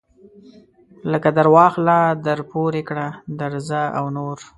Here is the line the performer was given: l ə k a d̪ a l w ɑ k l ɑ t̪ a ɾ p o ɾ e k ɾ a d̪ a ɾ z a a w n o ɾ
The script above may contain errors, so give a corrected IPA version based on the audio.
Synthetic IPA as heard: l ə k a d̪ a ɾ w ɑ x l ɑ d̪ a ɾ p o ɾ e k ɽ a d̪ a ɾ z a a w n o ɾ